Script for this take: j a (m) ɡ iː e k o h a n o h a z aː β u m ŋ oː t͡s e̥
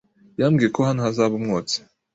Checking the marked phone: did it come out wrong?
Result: no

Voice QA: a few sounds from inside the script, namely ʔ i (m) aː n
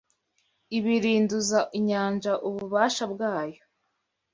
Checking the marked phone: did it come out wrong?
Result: yes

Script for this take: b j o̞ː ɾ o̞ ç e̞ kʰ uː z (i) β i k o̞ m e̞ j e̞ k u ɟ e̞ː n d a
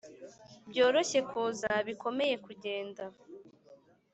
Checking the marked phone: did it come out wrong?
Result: yes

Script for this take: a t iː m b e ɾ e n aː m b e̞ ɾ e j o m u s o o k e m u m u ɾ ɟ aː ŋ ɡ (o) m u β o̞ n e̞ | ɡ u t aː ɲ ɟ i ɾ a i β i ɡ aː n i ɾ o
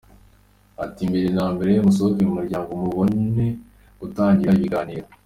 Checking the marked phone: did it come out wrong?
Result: no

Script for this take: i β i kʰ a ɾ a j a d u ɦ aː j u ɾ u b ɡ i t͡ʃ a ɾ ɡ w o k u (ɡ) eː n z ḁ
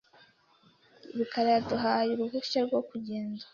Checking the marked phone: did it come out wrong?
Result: yes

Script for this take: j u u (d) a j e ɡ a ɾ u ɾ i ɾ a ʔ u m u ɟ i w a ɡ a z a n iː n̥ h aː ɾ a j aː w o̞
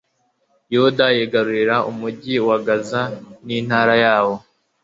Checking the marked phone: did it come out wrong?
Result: no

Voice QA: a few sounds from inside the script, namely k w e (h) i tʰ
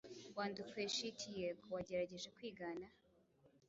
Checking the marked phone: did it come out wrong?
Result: yes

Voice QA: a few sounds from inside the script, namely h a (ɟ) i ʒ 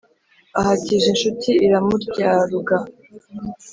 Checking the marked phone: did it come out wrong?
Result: yes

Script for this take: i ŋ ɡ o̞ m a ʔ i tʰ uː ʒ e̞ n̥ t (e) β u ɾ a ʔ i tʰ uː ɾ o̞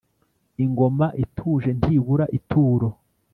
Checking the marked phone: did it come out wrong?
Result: yes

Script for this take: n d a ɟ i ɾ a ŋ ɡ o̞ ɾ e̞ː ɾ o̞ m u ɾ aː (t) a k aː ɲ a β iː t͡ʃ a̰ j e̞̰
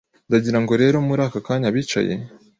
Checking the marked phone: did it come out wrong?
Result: yes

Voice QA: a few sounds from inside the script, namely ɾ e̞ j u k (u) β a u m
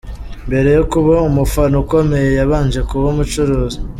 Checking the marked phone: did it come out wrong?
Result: no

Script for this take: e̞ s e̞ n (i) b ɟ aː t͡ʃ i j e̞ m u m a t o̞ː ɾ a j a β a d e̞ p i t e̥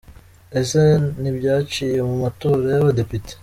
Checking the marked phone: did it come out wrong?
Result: no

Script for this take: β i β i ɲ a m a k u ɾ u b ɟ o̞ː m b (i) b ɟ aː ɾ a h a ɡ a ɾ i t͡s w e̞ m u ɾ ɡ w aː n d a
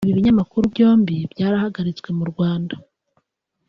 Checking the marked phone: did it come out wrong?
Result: no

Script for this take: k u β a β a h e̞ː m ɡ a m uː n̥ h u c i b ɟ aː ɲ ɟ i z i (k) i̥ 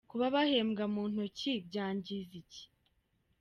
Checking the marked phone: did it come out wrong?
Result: yes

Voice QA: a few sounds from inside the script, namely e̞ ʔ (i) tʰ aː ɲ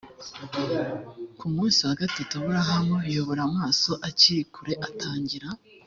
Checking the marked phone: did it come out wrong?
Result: yes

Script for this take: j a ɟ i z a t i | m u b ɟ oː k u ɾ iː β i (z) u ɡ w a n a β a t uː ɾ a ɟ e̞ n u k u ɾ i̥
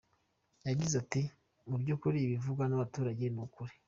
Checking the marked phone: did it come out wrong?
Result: yes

